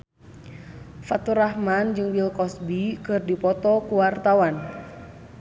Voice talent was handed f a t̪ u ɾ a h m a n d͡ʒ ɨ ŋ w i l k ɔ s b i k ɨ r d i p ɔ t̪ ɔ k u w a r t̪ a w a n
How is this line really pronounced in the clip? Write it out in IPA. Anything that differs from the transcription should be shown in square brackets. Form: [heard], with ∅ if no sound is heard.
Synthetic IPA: f a t̪ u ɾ a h m a n d͡ʒ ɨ ŋ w i l k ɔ s b i k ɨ r d i p ɔ t̪ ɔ k u w a r t̪ a w a n